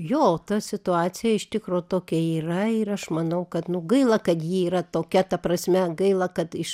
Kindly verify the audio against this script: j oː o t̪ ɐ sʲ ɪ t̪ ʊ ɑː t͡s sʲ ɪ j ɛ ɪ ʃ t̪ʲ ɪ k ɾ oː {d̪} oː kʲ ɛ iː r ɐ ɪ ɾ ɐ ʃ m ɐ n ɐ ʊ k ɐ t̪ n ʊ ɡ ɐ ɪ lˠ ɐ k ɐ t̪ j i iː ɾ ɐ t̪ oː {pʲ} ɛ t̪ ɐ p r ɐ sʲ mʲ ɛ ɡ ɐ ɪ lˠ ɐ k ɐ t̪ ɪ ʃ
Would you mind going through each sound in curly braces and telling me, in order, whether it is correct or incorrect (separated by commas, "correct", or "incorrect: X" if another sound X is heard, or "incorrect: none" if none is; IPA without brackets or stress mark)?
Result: incorrect: t̪, incorrect: kʲ